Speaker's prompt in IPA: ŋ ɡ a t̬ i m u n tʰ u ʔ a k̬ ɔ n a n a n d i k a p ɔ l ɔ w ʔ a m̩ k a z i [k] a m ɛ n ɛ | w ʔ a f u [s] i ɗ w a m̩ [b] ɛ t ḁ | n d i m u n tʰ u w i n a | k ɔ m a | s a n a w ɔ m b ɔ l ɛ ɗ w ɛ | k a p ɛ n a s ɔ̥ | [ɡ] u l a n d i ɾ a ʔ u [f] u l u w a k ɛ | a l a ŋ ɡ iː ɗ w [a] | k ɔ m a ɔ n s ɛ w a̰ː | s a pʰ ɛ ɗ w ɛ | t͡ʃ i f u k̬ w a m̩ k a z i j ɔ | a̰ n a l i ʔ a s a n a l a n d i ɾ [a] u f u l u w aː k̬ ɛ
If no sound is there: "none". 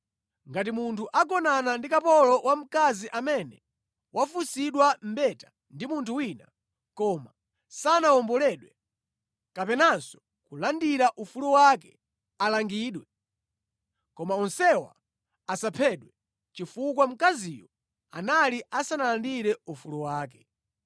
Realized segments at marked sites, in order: ʔ, s, b, k, f, ɛ, ɛ

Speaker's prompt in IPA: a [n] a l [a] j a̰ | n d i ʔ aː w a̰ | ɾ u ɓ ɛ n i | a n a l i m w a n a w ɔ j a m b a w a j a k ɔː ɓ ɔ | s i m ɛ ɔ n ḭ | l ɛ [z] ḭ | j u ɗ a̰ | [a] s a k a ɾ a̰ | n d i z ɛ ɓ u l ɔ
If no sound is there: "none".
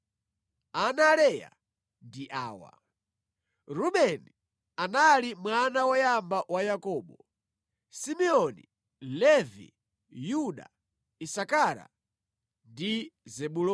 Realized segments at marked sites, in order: n, ɛ, v, i

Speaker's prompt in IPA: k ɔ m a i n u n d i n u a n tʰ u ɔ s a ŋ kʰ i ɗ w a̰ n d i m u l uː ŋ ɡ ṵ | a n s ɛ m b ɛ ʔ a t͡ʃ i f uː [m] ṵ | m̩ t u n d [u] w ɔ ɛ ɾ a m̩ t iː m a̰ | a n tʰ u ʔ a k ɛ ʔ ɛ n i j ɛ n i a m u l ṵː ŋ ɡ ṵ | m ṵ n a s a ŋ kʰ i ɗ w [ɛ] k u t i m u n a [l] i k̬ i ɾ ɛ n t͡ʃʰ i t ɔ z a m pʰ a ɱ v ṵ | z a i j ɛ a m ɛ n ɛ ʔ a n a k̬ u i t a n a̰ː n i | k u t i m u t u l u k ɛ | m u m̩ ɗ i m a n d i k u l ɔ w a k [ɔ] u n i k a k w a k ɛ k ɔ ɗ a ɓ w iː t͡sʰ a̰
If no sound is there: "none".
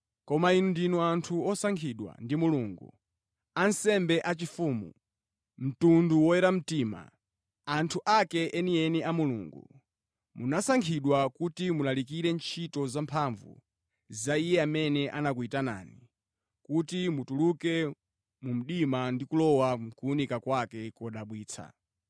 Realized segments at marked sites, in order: m, u, a, l, u

